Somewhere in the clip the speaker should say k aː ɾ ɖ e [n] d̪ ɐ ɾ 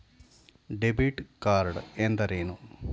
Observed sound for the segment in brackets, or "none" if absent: n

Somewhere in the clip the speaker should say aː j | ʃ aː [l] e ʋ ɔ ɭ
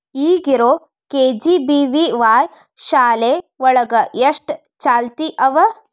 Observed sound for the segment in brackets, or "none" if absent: l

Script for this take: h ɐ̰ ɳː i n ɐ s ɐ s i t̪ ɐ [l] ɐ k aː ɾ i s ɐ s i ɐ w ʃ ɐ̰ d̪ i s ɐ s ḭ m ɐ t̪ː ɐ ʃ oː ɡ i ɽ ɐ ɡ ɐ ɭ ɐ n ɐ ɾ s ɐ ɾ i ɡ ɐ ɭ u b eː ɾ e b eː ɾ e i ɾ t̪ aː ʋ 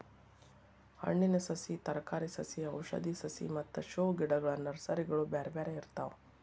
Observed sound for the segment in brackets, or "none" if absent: ɾ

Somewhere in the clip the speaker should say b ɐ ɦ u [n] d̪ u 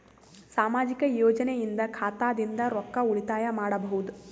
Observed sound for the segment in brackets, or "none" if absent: none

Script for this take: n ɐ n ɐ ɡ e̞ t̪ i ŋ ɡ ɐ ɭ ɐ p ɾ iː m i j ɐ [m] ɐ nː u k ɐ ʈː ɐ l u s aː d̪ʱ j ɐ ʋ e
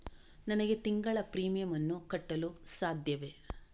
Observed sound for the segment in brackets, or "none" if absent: m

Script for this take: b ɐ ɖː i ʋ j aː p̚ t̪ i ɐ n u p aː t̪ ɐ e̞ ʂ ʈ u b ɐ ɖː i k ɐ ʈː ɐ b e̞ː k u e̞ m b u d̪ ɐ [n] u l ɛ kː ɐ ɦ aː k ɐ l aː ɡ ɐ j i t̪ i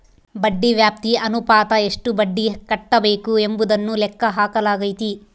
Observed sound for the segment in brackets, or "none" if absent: nː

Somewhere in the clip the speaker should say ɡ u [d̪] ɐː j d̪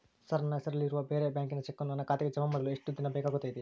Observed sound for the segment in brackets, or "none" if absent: t̪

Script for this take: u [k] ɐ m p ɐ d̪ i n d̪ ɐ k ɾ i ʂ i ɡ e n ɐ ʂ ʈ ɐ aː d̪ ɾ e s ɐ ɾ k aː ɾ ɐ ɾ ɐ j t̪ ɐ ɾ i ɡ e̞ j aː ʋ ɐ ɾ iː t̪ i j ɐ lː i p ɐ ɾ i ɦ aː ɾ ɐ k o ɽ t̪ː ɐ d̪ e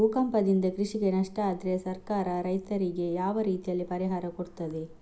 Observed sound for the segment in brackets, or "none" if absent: k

